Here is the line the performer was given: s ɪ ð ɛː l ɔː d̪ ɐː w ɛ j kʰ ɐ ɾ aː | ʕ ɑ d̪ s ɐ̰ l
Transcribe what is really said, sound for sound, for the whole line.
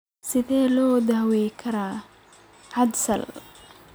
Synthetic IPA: s ɪ ð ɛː l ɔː d̪ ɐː w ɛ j kʰ ɐ ɾ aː | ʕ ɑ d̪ s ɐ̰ l